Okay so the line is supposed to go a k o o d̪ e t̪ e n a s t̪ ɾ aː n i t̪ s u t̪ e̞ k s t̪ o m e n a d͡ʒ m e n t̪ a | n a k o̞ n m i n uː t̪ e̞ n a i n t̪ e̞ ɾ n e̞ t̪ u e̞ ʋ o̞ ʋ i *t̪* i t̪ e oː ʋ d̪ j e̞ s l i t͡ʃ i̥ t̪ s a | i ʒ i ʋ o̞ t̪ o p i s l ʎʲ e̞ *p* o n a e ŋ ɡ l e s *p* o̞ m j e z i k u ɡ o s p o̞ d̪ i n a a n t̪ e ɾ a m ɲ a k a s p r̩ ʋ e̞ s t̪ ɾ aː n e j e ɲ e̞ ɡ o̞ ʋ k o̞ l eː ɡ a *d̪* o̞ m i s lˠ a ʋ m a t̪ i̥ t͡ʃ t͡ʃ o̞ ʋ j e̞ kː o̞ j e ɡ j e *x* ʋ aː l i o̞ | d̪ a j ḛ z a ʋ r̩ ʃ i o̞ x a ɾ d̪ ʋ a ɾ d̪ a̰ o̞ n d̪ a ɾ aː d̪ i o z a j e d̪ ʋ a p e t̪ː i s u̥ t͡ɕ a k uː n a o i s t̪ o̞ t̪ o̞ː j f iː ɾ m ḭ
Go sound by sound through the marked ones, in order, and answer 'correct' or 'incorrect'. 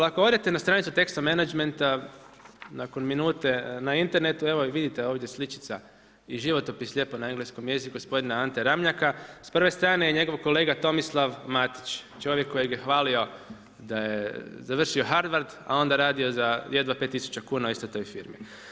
incorrect: d̪, correct, incorrect: k, incorrect: t̪, correct

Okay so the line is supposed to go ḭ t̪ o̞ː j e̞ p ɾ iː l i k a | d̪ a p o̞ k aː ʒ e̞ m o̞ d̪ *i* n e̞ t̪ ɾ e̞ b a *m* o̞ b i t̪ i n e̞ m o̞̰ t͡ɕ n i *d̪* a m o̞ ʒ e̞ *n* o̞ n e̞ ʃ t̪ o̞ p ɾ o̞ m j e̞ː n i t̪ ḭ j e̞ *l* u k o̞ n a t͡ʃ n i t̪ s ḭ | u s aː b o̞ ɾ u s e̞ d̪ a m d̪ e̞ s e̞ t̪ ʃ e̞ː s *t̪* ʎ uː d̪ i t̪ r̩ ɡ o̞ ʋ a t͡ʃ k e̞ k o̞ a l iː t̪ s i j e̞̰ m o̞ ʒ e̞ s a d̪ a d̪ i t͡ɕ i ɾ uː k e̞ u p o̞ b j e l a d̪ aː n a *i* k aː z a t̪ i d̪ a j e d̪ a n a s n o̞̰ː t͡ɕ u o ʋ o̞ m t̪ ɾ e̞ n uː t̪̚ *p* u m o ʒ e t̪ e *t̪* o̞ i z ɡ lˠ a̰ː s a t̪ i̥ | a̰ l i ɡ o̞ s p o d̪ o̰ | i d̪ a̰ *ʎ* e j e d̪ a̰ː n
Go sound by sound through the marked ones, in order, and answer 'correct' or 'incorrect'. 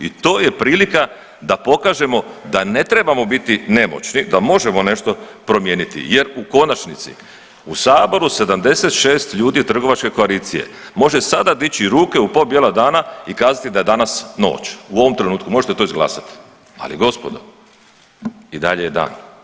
incorrect: a, correct, correct, incorrect: m, incorrect: ɾ, correct, correct, incorrect: k, correct, correct

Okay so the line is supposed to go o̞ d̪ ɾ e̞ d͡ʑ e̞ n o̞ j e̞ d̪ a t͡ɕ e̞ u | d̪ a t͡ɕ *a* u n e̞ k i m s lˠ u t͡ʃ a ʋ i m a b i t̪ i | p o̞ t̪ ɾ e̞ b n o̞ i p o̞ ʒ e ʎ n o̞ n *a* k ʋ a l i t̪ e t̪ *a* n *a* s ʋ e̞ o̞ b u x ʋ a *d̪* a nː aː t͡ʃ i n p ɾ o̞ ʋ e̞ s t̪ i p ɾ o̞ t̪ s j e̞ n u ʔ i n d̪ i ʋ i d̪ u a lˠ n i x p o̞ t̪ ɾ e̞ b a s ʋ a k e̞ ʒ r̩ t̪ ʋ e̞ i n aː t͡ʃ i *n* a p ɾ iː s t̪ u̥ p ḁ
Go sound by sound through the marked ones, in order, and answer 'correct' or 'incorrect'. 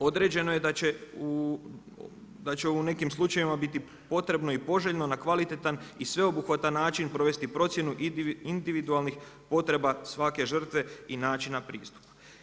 incorrect: e, correct, correct, incorrect: i, incorrect: t̪, correct

